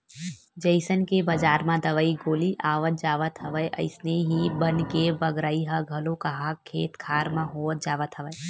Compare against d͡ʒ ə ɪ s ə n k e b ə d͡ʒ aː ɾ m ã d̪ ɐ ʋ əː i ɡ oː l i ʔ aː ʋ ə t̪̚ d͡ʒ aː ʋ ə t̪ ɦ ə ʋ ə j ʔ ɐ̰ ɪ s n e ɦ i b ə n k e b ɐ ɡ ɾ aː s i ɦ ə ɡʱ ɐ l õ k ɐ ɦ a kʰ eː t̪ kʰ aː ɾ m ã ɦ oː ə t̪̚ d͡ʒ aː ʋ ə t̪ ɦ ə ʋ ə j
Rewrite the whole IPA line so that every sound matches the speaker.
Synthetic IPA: d͡ʒ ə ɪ s ə n k e b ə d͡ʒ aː ɾ m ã d̪ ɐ ʋ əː i ɡ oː l i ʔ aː ʋ ə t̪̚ d͡ʒ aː ʋ ə t̪ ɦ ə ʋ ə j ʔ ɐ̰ ɪ s n e ɦ i b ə n k e b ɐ ɡ ɾ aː i ɦ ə ɡʱ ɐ l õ k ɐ ɦ a kʰ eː t̪ kʰ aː ɾ m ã ɦ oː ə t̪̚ d͡ʒ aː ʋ ə t̪ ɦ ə ʋ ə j